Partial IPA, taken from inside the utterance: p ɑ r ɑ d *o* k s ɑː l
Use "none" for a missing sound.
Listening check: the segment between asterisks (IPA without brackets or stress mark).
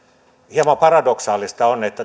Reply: o